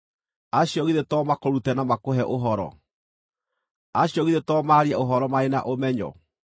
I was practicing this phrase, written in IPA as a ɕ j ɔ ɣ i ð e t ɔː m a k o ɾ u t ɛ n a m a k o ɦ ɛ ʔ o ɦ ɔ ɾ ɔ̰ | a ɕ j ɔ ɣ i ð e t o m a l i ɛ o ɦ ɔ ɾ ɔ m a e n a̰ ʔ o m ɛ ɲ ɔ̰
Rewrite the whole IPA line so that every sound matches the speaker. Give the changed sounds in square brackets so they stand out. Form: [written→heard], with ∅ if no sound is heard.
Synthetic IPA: a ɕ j ɔ ɣ i ð e t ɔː m a k o ɾ u t ɛ n a m a k o ɦ ɛ ʔ o ɦ ɔ ɾ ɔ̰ | a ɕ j ɔ ɣ i ð e t [o→ɔ] m a [l→ɾ] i ɛ o ɦ ɔ ɾ ɔ m a e n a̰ ʔ o m ɛ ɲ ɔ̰